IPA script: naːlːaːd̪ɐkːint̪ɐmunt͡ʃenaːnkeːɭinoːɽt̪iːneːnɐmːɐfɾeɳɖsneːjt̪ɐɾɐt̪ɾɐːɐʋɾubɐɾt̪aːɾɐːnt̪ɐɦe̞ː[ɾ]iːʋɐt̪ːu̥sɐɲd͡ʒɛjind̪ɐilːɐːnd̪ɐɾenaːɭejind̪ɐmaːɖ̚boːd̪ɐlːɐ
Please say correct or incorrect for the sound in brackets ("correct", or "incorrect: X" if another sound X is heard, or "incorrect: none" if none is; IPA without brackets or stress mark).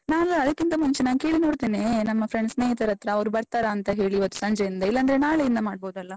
incorrect: ɭ